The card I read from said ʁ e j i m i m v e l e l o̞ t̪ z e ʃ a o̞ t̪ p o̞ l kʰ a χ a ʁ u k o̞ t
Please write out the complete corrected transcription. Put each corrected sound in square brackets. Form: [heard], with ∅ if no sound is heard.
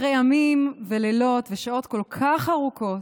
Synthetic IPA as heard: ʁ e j [a] m i m v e l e l o̞ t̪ [v] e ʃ a o̞ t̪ [k] o̞ l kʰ a χ a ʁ u k o̞ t